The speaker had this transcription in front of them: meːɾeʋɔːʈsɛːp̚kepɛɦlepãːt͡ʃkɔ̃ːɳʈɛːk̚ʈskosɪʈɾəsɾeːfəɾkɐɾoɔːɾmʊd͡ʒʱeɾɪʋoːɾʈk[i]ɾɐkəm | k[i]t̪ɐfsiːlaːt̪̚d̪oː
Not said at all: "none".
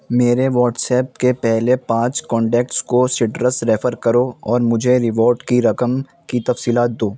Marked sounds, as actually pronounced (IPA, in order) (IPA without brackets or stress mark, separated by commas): i, i